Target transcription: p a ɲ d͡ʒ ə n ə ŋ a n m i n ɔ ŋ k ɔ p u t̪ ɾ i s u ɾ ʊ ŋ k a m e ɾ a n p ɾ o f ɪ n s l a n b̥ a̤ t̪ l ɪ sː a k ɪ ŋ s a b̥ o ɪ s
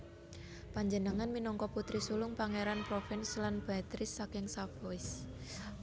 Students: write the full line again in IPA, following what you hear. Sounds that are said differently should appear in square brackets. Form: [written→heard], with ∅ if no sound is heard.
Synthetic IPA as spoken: p a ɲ d͡ʒ ə n ə ŋ a n m i n ɔ ŋ k ɔ p u t̪ ɾ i s u [ɾ→l] ʊ ŋ [k→p] a [m→ŋ] e ɾ a n p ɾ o f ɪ n s l a n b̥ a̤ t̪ [l→ɾ] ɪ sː a k ɪ ŋ s a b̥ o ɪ s